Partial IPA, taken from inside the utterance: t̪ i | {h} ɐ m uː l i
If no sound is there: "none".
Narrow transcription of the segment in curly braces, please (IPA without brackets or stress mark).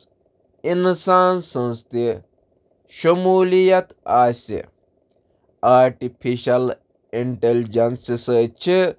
ʃ